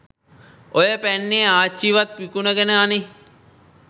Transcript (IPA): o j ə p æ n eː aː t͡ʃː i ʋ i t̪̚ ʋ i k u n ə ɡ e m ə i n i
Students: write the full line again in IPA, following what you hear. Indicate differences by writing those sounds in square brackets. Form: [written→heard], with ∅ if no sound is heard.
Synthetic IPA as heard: o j ə p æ [n→nː] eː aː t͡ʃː i ʋ [i→a] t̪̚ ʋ i k u n ə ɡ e [m→n] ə [i→a] n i